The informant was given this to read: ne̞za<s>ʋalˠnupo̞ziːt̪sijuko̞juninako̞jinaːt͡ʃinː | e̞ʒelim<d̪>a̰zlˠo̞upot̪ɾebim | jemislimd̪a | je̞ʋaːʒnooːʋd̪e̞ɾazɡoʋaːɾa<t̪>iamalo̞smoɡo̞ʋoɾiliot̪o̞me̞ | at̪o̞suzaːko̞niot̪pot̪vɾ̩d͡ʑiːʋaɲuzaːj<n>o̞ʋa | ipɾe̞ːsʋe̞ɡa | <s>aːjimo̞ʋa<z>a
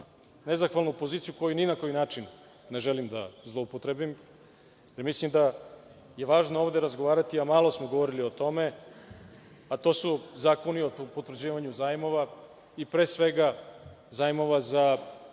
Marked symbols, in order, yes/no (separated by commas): no, yes, yes, no, no, yes